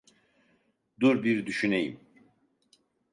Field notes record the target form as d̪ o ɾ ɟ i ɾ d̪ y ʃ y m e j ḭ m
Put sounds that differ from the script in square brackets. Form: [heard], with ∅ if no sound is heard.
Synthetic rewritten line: d̪ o ɾ [b] i ɾ d̪ y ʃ y [n] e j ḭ m